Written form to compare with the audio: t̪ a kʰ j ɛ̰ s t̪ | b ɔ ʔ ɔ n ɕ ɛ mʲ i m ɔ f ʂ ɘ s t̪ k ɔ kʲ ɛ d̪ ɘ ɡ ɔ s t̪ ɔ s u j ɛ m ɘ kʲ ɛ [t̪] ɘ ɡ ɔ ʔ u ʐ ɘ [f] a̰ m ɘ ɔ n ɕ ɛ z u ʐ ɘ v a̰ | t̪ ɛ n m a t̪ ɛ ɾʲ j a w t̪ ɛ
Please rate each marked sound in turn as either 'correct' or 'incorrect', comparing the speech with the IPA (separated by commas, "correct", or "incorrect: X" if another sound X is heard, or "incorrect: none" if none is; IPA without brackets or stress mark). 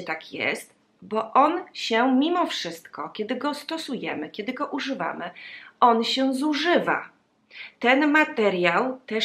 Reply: incorrect: d̪, incorrect: v